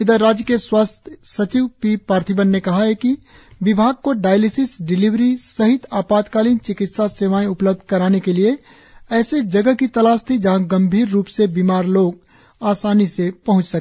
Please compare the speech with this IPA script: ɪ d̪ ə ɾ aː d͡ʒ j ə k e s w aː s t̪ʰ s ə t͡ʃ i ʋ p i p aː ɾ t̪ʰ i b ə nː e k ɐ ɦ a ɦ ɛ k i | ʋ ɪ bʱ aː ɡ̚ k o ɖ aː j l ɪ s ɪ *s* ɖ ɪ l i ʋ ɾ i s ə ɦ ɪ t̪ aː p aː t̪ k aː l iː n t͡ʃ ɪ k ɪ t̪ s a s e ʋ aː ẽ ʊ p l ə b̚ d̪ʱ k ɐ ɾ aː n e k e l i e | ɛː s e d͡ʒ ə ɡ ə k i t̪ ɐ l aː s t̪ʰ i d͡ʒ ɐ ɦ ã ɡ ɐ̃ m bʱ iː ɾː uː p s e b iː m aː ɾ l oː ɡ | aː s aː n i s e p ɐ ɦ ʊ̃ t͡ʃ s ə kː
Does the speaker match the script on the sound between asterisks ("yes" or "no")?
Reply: yes